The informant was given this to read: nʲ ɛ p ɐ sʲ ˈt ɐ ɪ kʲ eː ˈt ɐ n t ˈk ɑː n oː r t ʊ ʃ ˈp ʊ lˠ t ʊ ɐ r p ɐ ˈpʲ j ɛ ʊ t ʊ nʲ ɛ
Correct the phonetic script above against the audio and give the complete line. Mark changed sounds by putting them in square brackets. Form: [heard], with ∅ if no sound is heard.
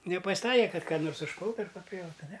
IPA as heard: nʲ ɛ p ɐ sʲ ˈt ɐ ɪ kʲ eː [ˈk] ɐ [∅] t ˈk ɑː n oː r [s] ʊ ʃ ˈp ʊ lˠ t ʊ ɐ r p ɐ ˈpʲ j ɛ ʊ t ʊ nʲ ɛ